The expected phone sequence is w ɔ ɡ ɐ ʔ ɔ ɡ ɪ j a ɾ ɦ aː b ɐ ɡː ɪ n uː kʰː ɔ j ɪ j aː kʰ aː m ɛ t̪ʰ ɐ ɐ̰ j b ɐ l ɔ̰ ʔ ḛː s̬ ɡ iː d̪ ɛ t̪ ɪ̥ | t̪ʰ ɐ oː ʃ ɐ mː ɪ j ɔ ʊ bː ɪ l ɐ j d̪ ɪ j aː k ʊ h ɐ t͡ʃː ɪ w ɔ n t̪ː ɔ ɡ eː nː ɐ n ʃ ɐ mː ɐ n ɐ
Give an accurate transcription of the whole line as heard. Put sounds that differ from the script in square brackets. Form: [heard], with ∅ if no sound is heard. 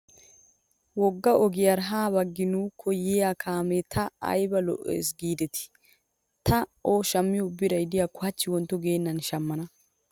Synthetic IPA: w ɔ [ɡː] ɐ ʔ ɔ ɡ ɪ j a ɾ ɦ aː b ɐ ɡː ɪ n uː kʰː ɔ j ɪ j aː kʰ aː m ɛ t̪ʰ ɐ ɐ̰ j b ɐ l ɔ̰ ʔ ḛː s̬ ɡ iː d̪ ɛ t̪ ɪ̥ | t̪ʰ ɐ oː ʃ ɐ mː ɪ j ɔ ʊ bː ɪ [ɾ] ɐ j d̪ ɪ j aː k ʊ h ɐ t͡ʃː ɪ w ɔ n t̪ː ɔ ɡ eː nː ɐ n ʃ ɐ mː ɐ n ɐ